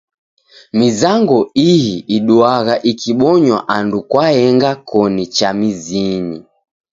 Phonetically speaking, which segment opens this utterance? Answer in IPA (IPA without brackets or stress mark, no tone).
m